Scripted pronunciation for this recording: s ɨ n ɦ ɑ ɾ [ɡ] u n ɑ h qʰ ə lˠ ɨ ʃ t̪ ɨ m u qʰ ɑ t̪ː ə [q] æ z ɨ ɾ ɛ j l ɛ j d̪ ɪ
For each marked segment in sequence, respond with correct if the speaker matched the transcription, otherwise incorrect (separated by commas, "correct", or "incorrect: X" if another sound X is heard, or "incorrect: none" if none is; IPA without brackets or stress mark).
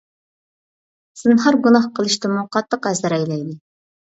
correct, correct